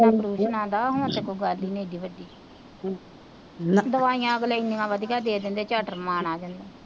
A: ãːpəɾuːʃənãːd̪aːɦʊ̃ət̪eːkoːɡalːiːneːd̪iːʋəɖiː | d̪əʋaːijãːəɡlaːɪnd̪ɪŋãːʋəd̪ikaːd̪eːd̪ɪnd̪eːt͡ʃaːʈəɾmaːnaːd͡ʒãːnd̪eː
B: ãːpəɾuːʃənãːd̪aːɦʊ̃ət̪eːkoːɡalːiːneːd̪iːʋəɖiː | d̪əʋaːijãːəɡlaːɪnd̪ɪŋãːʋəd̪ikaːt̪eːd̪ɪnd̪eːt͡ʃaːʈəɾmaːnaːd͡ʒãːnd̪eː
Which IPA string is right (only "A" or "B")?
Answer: A